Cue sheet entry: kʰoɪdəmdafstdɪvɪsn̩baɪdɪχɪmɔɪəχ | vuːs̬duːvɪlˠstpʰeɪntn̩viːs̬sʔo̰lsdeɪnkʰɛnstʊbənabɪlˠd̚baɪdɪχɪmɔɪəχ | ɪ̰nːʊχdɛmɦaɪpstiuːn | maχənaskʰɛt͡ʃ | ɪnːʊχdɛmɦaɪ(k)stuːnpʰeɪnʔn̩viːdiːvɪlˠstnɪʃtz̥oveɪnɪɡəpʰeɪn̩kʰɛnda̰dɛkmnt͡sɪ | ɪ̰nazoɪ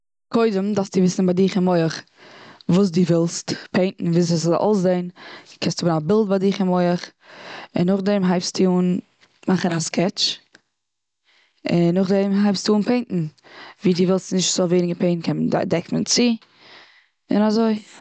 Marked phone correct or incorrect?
incorrect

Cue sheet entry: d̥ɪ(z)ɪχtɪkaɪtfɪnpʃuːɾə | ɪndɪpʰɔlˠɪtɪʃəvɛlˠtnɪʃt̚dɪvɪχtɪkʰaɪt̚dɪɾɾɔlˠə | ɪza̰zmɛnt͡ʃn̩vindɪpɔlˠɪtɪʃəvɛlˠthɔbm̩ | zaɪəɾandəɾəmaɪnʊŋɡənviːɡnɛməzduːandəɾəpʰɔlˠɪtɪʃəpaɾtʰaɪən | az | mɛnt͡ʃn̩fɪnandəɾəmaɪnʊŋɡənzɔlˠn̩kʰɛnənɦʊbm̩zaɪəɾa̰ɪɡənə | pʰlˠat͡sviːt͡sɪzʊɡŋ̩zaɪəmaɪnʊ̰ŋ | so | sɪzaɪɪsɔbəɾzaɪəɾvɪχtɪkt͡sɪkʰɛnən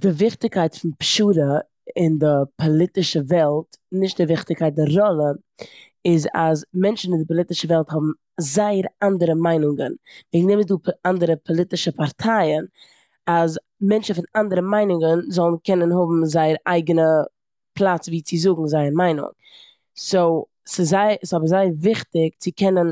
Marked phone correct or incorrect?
incorrect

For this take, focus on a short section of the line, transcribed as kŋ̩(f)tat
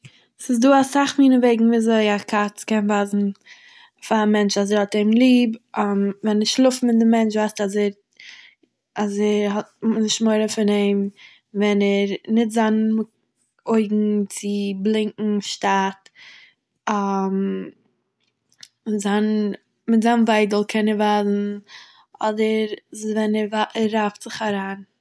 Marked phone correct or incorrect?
incorrect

